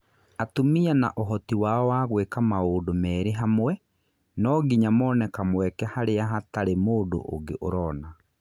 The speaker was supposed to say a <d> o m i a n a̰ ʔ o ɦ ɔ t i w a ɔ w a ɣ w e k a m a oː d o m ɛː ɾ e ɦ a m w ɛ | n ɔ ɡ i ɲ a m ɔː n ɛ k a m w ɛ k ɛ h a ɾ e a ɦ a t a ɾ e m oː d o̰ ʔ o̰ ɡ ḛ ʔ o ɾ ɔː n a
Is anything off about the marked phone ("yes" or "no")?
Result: yes